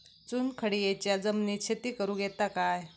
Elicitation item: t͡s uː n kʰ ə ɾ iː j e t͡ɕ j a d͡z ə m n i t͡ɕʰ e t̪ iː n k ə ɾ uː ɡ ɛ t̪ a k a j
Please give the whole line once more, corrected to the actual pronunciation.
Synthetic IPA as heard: t͡s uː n kʰ ə ɽ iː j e t͡ɕ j a d͡z ə m n i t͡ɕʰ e t̪ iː k ə ɾ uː ɡ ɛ t̪ a k a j